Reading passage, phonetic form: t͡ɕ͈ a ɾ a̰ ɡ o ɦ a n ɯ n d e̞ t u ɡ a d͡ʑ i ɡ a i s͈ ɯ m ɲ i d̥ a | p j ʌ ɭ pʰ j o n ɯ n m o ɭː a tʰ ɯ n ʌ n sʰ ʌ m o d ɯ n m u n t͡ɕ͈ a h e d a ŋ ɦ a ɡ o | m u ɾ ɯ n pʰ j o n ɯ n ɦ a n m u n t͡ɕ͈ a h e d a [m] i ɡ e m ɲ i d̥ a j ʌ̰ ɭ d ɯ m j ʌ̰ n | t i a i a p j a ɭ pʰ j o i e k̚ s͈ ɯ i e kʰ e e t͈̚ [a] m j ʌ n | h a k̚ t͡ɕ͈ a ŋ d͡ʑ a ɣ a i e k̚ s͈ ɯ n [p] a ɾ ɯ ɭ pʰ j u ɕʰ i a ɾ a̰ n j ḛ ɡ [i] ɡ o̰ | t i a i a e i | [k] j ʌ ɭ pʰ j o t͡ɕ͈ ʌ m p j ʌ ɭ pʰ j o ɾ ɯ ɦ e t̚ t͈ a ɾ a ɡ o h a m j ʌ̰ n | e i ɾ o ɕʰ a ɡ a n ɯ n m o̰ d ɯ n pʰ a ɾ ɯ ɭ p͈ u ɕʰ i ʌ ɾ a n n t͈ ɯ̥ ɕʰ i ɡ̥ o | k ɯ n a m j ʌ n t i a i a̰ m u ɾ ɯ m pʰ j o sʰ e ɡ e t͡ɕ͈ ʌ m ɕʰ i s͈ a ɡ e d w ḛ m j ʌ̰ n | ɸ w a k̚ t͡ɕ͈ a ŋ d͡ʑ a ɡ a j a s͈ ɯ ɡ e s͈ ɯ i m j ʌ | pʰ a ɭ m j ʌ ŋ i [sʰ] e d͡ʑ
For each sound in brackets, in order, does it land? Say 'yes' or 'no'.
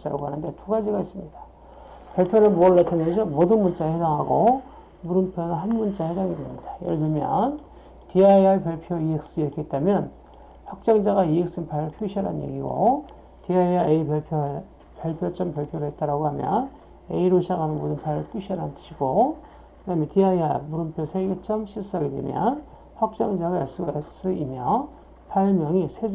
no, yes, no, yes, no, yes

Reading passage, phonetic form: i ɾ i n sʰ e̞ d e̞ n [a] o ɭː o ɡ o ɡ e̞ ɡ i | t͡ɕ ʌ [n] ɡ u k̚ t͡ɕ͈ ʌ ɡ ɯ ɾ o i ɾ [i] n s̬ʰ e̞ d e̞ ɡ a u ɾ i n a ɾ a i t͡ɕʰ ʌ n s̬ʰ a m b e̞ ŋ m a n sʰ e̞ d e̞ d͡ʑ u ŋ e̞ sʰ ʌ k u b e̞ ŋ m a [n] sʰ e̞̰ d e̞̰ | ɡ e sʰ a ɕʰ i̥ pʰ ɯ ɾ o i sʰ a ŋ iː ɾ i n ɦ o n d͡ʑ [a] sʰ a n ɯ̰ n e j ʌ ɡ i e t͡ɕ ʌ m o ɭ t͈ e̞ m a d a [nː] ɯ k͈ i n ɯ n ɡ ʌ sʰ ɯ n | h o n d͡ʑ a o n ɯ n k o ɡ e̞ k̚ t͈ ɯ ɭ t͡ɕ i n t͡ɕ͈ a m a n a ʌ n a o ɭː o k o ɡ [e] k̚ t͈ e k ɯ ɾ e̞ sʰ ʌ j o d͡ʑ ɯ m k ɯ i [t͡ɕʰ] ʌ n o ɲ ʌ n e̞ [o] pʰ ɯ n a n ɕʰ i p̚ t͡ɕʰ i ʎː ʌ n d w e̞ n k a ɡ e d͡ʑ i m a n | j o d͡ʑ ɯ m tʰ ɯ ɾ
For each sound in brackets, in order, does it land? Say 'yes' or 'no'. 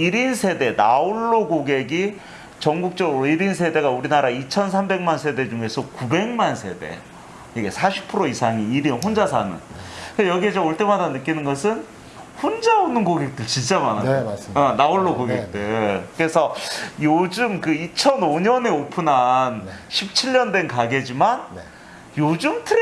yes, no, yes, yes, yes, no, yes, yes, yes

